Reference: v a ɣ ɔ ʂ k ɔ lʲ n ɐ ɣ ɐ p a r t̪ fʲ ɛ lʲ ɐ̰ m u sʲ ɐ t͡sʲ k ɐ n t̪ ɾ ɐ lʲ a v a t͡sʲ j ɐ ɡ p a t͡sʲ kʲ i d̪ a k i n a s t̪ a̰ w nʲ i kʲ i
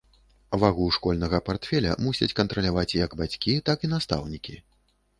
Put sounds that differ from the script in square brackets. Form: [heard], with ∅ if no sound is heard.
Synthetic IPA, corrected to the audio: v a ɣ [u] ʂ k ɔ lʲ n ɐ ɣ ɐ p a r t̪ fʲ ɛ lʲ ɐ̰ m u sʲ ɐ t͡sʲ k ɐ n t̪ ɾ ɐ lʲ a v a t͡sʲ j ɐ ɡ [b] a t͡sʲ kʲ i [t̪] a k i n a s t̪ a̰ w nʲ i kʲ i